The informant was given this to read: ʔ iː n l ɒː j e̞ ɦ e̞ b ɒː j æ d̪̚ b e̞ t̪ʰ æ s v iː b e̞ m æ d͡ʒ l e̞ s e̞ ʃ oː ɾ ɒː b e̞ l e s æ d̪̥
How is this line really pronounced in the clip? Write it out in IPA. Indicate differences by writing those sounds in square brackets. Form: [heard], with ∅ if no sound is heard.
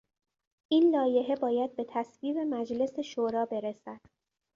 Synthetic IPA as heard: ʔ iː n l ɒː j e̞ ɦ e̞ b ɒː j æ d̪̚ b e̞ t̪ʰ æ s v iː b e̞ m æ d͡ʒ l e̞ s e̞ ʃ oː ɾ ɒː b e̞ [ɾ] e s æ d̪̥